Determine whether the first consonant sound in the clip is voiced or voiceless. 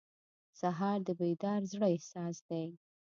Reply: voiceless